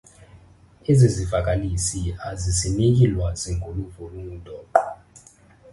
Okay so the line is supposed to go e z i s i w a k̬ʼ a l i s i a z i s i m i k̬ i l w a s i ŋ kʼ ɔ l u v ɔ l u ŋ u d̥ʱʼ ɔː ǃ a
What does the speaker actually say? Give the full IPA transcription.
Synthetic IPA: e z i z i v a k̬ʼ a l i s i a z i s i n i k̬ i l w a z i ŋ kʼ u l u v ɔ l u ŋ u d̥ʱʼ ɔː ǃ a